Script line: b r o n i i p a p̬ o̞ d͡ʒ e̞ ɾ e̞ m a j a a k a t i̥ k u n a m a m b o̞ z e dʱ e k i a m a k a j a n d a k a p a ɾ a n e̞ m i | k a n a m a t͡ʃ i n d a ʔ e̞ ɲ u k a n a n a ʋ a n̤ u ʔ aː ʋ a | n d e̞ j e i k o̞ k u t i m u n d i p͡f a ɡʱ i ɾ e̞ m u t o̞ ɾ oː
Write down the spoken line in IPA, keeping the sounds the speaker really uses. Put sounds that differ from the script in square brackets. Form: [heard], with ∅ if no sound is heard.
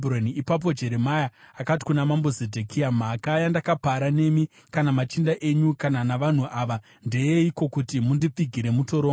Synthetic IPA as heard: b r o n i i p a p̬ o̞ d͡ʒ e̞ ɾ e̞ m a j a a k a t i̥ k u n a m a m b o̞ z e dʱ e k i a m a k a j a n d a k a p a ɾ a n e̞ m i | k a n a m a t͡ʃ i n d a ʔ e̞ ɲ u k a n a n a ʋ a n̤ u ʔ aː ʋ a | n d e̞ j e i k o̞ k u t i m u n d i p͡f [i] ɡʱ i ɾ e̞ m u t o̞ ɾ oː

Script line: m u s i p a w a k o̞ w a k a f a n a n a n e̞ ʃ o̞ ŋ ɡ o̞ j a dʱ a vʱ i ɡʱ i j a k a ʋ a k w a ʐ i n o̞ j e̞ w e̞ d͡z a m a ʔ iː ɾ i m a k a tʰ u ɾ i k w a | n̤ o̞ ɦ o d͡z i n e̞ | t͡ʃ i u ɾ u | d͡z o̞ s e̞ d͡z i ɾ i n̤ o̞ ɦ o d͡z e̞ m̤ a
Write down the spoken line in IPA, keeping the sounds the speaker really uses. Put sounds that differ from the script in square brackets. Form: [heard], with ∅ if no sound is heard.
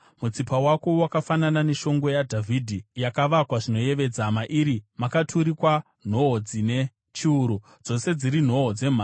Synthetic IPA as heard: m u [t͡s] i p a w a k o̞ w a k a f a n a n a n e̞ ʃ o̞ ŋ ɡ o̞ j a dʱ a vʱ i [dʱ] i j a k a ʋ a k w a ʐ i n o̞ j e̞ [ʋ] e̞ d͡z a m a ʔ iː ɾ i m a k a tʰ u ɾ i k w a | n̤ o̞ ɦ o d͡z i n e̞ | t͡ʃ i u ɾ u | d͡z o̞ s e̞ d͡z i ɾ i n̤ o̞ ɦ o d͡z e̞ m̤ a

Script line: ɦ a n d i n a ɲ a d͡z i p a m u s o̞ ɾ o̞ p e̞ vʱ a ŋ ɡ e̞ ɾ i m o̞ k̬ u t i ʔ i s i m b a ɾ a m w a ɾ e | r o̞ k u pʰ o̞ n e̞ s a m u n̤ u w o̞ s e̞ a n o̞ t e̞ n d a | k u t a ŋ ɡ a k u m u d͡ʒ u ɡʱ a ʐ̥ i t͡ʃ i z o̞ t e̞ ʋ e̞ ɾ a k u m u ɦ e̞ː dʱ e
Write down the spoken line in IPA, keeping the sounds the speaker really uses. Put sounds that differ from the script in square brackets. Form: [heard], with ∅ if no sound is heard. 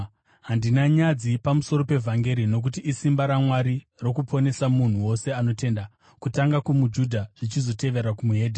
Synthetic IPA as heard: ɦ a n d i n a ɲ a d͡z i p a m u s o̞ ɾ o̞ p e̞ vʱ a ŋ ɡ e̞ ɾ i [n] o̞ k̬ u t i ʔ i s i m b a ɾ a m w a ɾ [i] | r o̞ k u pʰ o̞ n e̞ s a m u n̤ u w o̞ s e̞ a n o̞ t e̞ n d a | k u t a ŋ ɡ a k u m u d͡ʒ u [dʱ] a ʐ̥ i t͡ʃ i z o̞ t e̞ ʋ e̞ ɾ a k u m u ɦ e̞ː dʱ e

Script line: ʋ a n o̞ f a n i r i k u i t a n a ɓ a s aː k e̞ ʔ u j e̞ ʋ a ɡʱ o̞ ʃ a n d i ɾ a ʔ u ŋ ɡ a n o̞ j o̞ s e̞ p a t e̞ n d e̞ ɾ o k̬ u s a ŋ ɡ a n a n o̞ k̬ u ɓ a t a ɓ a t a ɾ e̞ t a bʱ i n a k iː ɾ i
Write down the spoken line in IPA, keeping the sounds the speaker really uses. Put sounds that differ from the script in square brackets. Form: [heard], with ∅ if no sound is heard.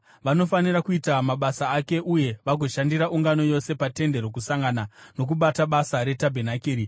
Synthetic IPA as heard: ʋ a n o̞ f a n i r [a] k u i t a [m] a ɓ a s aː k e̞ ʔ u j e̞ ʋ a ɡʱ o̞ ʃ a n d i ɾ a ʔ u ŋ ɡ a n o̞ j o̞ s e̞ p a t e̞ n d e̞ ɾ o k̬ u s a ŋ ɡ a n a n o̞ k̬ u ɓ a t a ɓ a [s] a ɾ e̞ t a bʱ [e] n a k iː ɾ i

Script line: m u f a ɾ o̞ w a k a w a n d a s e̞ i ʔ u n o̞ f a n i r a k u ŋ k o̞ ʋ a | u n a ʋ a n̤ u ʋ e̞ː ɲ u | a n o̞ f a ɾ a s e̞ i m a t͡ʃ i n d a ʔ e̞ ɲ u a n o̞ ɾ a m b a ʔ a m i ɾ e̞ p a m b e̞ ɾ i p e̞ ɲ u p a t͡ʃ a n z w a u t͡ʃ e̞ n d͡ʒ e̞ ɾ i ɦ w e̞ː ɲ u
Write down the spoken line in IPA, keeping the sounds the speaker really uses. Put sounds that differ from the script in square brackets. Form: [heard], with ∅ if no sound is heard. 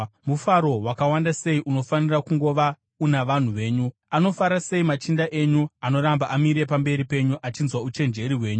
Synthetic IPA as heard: m u f a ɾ o̞ w a k a w a n d a s e̞ i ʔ u n o̞ f a n i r a k u ŋ [ɡ] o̞ ʋ a | u n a ʋ a n̤ u ʋ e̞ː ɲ u | a n o̞ f a ɾ a s e̞ i m a t͡ʃ i n d a ʔ e̞ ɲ u a n o̞ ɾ a m b a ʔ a m i ɾ e̞ p a m b e̞ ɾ i p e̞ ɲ u [ʔ] a t͡ʃ [i] n z w a u t͡ʃ e̞ n d͡ʒ e̞ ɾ i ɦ w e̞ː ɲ u

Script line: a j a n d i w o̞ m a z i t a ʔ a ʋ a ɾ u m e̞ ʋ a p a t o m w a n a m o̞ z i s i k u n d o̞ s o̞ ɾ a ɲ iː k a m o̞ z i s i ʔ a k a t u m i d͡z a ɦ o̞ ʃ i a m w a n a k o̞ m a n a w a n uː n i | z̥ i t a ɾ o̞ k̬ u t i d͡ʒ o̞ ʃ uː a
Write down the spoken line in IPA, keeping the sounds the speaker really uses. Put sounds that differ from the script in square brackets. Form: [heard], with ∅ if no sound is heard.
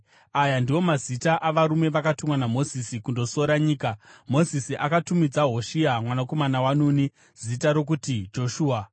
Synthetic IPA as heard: a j a n d i w o̞ m a z i t a ʔ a ʋ a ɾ u m e̞ ʋ a [k] a t [u] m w a n a m o̞ z i s i k u n d o̞ s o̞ ɾ a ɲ iː k a m o̞ z i s i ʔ a k a t u m i d͡z a ɦ o̞ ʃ i a m w a n a k o̞ m a n a w a n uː n i | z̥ i t a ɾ o̞ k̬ u t i d͡ʒ o̞ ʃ uː a

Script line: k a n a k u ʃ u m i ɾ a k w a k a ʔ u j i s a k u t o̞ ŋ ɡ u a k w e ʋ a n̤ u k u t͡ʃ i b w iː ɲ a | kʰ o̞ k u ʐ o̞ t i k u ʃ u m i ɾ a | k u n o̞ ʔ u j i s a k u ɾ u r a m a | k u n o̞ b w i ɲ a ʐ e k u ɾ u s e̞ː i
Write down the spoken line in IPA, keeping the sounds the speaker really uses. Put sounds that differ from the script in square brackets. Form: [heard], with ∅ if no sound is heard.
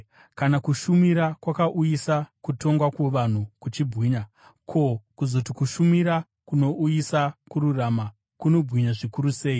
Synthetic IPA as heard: k a n a k u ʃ u m i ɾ a k w a k a ʔ u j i s a k u t o̞ ŋ ɡ [w] a k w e ʋ a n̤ u k u t͡ʃ i b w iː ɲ a | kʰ o̞ k u [z] o̞ t i k u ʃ u m i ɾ a | k u n o̞ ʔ u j i s a k u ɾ u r a m a | k u n o̞ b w i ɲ a ʐ [i] k u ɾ u s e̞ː i

